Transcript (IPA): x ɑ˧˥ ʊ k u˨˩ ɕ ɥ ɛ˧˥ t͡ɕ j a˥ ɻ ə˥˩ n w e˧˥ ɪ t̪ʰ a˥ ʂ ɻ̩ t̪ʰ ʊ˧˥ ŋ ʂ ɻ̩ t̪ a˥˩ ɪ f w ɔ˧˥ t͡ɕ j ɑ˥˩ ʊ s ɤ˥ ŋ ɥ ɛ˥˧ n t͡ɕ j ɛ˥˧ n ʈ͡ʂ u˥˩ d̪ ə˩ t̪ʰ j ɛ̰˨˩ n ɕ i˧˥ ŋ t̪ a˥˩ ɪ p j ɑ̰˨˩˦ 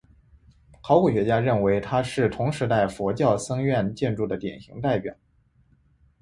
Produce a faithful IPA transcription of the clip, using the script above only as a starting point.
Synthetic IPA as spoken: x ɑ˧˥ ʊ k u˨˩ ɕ ɥ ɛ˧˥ t͡ɕ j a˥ ɻ ə˥˩ n w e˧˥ ɪ t̪ʰ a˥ ʂ ɻ̩ t̪ʰ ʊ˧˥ ŋ ʂ ɻ̩ t̪ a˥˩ ɪ f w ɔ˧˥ t͡ɕ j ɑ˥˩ ʊ s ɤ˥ ŋ ɥ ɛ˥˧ n t͡ɕ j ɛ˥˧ n ʈ͡ʂ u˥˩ d̪ ə˩ t̪ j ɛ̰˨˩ n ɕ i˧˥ ŋ t̪ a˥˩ ɪ p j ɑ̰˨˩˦